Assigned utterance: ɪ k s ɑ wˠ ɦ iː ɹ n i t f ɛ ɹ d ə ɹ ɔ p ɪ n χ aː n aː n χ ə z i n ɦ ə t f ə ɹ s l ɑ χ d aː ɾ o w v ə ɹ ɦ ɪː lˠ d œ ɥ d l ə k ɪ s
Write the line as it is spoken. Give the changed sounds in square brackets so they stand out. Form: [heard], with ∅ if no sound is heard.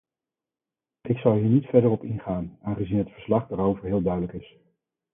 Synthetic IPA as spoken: ɪ k s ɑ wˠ ɦ iː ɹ n i t f ɛ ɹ d ə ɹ ɔ p ɪ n χ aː n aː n χ ə z i n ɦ ə t f ə ɹ s l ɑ χ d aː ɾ o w v ə ɹ ɦ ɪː lˠ d œ ɥ d l ə k ɪ s